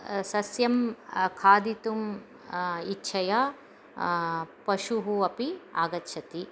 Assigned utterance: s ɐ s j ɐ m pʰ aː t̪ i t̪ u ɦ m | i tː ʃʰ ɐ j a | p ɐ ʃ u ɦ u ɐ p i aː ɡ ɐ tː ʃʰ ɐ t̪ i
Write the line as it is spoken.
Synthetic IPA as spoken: s ɐ s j ɐ m kʰ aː d̪ i t̪ u m | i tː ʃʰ ɐ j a | p ɐ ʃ u ɦ u ɐ p i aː ɡ ɐ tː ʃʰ ɐ t̪ i